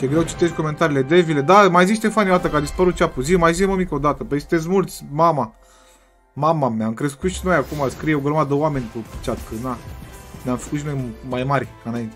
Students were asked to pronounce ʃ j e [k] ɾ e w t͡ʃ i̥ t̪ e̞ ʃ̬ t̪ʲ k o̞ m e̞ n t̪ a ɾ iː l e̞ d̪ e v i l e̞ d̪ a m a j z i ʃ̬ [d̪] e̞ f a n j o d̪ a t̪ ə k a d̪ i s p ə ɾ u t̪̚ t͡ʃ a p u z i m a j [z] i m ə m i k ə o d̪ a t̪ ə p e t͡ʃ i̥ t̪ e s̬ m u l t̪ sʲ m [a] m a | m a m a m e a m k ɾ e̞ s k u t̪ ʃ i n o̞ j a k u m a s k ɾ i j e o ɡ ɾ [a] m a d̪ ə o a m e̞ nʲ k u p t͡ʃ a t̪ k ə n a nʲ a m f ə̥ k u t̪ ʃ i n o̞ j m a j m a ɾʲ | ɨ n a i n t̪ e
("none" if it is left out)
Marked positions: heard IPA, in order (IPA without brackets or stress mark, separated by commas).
ɡ, t̪, z, a, ə